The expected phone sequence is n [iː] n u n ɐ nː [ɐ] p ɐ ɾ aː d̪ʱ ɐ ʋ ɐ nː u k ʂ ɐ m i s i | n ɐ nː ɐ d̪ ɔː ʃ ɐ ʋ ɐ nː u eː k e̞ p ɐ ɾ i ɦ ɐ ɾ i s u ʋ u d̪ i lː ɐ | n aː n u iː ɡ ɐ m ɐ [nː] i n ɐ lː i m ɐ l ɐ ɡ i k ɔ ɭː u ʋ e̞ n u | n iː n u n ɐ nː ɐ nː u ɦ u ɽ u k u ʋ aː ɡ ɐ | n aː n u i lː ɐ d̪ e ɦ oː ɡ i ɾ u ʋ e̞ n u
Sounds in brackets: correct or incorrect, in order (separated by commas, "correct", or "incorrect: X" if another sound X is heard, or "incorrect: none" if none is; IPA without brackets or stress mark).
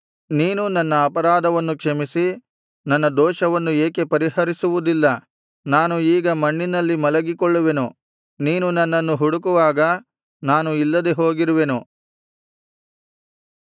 correct, incorrect: ɐː, incorrect: ɳː